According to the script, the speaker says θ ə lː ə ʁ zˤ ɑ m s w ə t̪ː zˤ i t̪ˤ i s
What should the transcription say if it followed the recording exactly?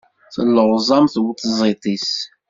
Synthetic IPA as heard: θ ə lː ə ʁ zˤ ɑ m θ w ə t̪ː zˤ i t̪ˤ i s